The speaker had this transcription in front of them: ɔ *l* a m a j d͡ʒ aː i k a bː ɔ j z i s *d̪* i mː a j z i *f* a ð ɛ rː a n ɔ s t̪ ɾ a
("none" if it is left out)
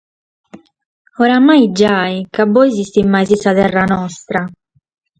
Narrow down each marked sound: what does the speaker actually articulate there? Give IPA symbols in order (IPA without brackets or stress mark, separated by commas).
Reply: ɾ, t̪, s